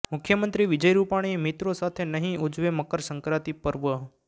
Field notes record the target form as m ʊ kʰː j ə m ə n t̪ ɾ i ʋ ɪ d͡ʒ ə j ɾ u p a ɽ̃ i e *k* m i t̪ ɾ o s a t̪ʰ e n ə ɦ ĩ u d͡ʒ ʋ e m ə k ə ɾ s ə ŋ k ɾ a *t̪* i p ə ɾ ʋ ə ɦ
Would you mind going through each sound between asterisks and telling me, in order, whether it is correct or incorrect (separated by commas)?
incorrect, correct